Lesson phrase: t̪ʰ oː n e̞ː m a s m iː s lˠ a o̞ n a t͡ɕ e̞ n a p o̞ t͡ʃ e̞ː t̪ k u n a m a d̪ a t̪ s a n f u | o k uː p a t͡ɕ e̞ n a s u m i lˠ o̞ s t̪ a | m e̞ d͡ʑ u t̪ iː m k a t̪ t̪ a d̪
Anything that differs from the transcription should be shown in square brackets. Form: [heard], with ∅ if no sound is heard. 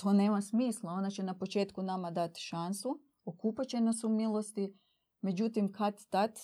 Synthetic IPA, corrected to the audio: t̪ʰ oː n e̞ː m a s m iː s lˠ a o̞ n a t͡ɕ e̞ n a p o̞ t͡ʃ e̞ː t̪ k u n a m a d̪ a t̪ [ʃ] a n [s] u | o k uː p a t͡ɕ e̞ n a s u m i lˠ o̞ s t̪ [i] | m e̞ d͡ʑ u t̪ [i] m k a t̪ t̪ a [t̪]